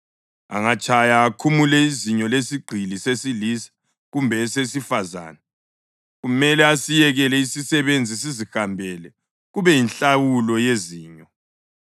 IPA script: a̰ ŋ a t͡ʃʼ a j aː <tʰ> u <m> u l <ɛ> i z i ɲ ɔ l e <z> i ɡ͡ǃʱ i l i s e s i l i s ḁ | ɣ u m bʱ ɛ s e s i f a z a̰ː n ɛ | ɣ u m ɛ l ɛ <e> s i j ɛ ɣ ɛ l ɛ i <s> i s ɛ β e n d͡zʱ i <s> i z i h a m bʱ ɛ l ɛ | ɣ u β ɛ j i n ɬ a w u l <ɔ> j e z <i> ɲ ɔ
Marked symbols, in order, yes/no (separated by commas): no, yes, yes, no, no, yes, yes, yes, no